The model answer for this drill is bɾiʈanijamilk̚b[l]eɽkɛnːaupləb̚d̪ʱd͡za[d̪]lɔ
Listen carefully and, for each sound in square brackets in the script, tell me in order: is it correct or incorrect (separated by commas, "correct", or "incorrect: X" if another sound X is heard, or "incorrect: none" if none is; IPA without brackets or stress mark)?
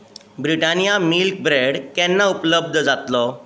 incorrect: ɾ, incorrect: t̪